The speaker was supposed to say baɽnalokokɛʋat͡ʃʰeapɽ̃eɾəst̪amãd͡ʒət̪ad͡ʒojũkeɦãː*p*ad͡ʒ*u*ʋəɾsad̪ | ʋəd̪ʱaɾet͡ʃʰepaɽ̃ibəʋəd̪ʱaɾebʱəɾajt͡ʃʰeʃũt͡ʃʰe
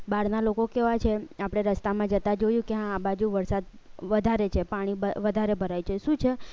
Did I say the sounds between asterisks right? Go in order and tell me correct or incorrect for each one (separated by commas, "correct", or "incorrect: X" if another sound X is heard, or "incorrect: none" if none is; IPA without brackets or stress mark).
incorrect: b, correct